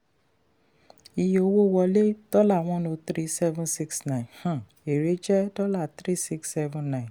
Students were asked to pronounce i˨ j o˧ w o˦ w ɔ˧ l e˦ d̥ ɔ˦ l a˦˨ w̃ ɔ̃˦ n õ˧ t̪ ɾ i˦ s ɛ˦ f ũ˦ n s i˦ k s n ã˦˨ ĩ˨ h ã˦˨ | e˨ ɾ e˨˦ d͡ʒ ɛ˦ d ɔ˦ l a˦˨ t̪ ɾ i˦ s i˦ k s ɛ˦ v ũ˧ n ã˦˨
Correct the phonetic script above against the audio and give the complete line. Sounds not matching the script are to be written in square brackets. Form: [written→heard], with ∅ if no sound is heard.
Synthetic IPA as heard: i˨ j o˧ w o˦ w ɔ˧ l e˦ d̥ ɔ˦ l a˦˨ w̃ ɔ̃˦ n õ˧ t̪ ɾ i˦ s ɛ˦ [f→v] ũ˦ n s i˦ k s n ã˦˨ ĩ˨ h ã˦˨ | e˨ ɾ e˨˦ d͡ʒ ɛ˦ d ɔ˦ l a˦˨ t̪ ɾ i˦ s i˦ k s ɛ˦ v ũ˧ n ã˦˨